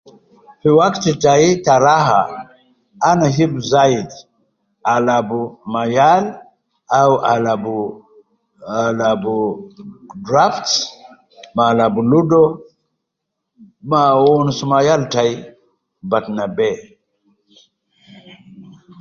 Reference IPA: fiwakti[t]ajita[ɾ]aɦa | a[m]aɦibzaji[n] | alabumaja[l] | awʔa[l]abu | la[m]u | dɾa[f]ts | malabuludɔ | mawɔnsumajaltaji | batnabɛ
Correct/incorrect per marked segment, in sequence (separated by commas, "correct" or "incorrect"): correct, correct, incorrect, incorrect, correct, correct, incorrect, correct